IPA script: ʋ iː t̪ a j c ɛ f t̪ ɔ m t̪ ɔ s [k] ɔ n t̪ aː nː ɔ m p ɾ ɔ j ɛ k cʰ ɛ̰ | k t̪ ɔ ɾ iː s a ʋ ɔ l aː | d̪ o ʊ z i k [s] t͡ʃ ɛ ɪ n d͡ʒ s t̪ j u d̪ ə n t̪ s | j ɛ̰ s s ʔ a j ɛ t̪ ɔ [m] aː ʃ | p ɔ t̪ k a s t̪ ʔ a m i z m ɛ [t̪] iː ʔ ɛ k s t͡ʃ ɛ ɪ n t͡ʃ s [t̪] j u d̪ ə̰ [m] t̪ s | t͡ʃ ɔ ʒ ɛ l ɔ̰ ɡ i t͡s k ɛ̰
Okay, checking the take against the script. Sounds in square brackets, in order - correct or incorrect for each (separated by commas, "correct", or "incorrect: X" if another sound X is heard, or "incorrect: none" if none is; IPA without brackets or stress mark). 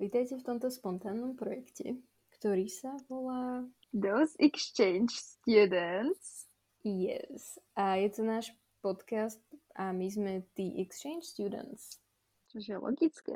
incorrect: p, correct, incorrect: n, correct, correct, incorrect: n